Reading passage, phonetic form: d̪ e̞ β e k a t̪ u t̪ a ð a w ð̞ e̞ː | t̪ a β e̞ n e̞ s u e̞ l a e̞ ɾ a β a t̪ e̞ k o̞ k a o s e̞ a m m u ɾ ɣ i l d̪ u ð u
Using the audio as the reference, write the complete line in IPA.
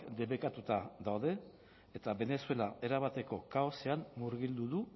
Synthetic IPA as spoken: d̪ e̞ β e k a t̪ u t̪ a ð a w ð̞ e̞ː | t̪ a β e̞ n e̞ s u e̞ l a e̞ ɾ a β a t̪ e̞ k o̞ k a o s e̞ a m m u ɾ ɣ i l d̪ u ð u